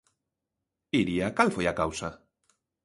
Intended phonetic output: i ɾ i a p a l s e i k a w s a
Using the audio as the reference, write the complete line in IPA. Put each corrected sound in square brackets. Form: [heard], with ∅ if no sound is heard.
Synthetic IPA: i ɾ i a [k] a l [f] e [a] k a w s a

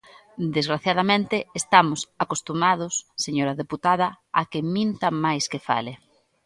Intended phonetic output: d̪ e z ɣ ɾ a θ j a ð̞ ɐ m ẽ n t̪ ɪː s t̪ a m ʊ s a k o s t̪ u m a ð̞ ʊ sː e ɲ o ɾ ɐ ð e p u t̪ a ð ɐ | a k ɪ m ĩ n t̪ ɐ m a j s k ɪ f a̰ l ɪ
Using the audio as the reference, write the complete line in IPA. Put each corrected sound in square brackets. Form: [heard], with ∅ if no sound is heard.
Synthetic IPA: d̪ e z ɣ ɾ a θ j a ð̞ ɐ m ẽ n t̪ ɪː s t̪ a m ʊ s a k o s t̪ u m a ð̞ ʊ sː e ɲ o ɾ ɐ ð e p u t̪ a ð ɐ | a k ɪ m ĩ n t̪ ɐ m a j s k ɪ f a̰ l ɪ

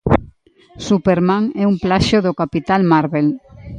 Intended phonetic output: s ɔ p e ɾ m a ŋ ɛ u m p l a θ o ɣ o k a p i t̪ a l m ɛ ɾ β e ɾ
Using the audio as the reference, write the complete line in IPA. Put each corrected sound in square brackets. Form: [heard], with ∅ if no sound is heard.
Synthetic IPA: s [u] p e ɾ m a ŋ ɛ u m p l a [ʃ] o [ð] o k a p i t̪ a l m [a] ɾ β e [l]

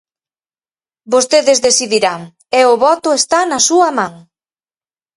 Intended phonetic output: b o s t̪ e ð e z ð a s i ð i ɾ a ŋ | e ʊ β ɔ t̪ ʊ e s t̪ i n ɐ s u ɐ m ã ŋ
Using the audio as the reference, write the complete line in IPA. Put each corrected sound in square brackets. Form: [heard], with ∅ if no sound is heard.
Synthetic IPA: b o s t̪ e ð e z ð [e] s i ð i ɾ a ŋ | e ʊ β ɔ t̪ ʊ e s t̪ [a] n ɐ s u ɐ m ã ŋ

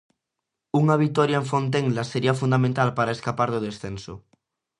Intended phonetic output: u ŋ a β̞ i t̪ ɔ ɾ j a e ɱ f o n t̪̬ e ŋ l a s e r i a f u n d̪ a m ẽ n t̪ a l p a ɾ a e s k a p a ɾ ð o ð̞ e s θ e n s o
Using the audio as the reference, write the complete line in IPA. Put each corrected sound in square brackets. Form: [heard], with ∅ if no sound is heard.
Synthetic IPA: u ŋ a β̞ i t̪ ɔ ɾ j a e ɱ f o n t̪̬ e ŋ l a s e [ɾ] i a f u n d̪ a m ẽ n t̪ a l p a ɾ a e s k a p a ɾ ð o ð̞ e s θ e n s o

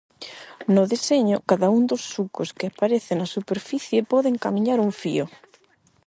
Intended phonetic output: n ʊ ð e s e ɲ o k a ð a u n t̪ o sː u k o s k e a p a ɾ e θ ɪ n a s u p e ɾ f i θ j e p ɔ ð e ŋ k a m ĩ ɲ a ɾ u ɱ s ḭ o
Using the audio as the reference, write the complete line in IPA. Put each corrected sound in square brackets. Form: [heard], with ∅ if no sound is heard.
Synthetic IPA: n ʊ ð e s e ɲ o k a ð a u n [d̪] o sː u k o s k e a p a ɾ e θ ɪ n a s u p e ɾ f i θ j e p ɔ ð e ŋ k a m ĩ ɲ a ɾ u ɱ [f] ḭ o

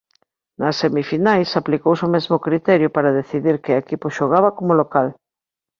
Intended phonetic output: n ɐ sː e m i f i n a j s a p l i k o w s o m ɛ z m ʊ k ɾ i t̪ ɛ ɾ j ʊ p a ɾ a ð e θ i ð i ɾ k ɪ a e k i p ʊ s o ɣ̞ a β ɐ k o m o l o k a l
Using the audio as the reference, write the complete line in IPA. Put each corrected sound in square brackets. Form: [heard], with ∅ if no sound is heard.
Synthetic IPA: n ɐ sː e m i f i n a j s a p l i k o w s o m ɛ z m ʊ k ɾ i t̪ ɛ ɾ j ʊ p a ɾ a ð e θ i ð i ɾ k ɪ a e k i p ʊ [ʃ] o ɣ̞ a β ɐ k o m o l o k a l

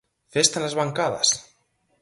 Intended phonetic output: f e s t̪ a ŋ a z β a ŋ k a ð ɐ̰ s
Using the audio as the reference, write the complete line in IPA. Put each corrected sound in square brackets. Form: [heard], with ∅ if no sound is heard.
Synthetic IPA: f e s t̪ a [n] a z β a ŋ k a ð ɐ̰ s

